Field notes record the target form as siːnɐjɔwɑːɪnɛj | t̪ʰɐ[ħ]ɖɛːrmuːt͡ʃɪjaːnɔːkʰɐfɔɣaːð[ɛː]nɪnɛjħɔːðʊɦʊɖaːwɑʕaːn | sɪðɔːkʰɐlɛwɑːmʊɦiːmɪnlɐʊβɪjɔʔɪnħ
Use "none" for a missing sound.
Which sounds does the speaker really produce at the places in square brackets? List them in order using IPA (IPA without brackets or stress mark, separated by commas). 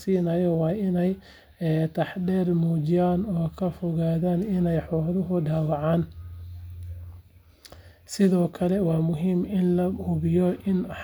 ħ, aː